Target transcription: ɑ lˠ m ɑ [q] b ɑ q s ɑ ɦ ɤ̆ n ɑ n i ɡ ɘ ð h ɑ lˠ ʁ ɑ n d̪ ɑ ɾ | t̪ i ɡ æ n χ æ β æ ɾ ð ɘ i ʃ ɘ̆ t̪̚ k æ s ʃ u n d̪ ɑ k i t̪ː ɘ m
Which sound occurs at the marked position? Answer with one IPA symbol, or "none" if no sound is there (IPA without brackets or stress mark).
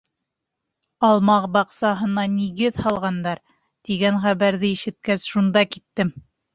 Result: q